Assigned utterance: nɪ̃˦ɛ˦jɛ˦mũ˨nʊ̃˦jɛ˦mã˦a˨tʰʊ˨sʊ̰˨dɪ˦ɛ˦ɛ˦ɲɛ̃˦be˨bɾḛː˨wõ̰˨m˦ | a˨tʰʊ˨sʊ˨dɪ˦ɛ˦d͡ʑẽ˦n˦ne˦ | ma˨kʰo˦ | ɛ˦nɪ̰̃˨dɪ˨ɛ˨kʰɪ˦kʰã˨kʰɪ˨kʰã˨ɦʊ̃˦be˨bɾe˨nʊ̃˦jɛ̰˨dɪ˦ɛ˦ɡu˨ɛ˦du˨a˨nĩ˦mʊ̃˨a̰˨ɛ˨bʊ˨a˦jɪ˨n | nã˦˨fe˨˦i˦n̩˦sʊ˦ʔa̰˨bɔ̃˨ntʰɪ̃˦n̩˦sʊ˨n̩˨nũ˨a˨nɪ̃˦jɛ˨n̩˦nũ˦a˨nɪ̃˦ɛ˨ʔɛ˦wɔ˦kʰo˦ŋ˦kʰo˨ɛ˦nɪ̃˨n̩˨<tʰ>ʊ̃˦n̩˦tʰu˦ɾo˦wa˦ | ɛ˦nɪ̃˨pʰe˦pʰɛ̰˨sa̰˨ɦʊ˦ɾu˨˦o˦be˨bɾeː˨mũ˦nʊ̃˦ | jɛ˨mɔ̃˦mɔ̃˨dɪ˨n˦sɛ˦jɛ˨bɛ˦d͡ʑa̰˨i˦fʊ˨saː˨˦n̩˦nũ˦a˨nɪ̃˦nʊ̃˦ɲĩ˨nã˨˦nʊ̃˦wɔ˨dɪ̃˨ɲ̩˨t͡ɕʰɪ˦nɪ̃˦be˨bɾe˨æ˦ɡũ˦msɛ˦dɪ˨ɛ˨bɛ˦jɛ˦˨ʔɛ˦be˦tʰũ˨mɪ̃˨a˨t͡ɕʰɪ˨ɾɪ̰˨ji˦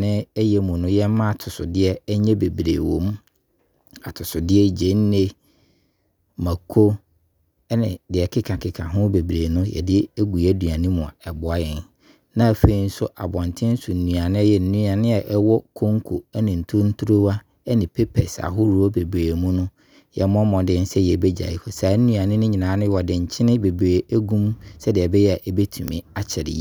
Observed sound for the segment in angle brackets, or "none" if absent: tʰ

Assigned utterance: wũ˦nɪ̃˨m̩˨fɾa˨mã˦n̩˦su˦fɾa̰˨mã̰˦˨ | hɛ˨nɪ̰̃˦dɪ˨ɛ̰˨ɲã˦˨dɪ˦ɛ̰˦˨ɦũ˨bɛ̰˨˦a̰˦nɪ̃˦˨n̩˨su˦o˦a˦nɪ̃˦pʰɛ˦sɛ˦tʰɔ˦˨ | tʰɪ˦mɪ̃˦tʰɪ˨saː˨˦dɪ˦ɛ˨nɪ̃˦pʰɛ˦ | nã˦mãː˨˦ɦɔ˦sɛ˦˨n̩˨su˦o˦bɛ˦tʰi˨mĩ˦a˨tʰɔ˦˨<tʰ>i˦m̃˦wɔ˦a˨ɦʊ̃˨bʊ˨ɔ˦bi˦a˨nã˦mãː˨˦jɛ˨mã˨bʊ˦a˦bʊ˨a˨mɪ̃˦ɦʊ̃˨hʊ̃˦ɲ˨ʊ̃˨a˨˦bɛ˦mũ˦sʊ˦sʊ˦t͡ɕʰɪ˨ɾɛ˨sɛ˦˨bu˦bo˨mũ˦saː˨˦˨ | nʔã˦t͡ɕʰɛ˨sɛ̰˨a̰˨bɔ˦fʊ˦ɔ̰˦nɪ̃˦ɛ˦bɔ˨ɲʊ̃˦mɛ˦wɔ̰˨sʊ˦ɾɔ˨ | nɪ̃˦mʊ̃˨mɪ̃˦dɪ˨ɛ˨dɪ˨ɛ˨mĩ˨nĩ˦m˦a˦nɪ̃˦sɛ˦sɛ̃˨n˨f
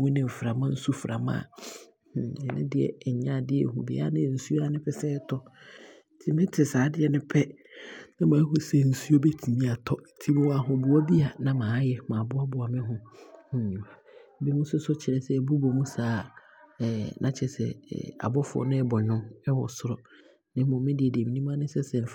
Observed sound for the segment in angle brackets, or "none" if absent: tʰ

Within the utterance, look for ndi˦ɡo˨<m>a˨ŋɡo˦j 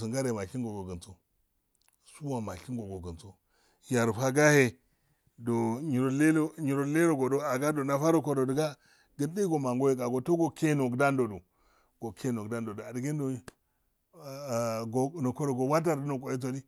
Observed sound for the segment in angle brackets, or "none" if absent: m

